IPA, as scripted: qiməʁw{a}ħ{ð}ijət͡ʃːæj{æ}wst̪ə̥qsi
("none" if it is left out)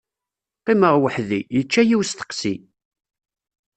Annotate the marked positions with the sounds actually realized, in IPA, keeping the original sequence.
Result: ə, ð, i

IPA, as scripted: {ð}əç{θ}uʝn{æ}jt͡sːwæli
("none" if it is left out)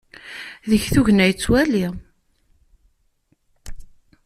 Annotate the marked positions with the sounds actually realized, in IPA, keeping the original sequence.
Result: ð, θ, æ

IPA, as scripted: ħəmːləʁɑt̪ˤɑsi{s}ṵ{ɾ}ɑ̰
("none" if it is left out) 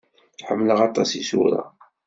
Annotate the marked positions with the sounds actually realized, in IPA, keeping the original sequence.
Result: s, ɾ

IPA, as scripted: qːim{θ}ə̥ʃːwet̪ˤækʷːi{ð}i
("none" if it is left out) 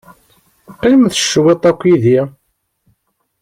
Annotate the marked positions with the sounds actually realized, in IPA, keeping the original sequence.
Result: θ, ð

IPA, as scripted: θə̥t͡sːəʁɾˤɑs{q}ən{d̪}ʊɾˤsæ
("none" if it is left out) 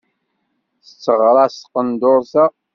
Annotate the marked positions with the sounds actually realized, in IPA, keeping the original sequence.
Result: q, d̪

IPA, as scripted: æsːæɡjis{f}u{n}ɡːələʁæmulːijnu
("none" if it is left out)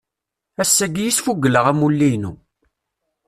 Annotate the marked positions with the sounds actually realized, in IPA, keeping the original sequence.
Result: f, none

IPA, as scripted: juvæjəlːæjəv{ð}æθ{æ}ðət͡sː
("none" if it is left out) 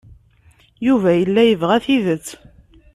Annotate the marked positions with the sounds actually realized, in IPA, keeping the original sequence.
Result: ʁ, i

